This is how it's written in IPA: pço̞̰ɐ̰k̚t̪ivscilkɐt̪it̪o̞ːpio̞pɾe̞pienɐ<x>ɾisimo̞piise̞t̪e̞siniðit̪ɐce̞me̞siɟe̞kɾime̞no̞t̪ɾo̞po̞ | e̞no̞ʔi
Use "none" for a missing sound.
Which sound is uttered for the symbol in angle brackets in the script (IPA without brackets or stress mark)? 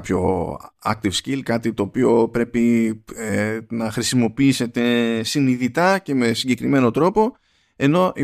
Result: x